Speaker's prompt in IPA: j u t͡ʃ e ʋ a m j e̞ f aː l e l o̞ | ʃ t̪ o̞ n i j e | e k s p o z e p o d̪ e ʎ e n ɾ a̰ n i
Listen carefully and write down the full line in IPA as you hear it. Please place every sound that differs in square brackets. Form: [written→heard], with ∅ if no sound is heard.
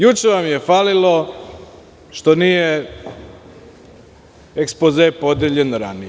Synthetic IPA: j u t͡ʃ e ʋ a m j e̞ f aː l [e→i] l o̞ | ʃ t̪ o̞ n i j e | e k s p o z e p o d̪ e ʎ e n ɾ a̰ n i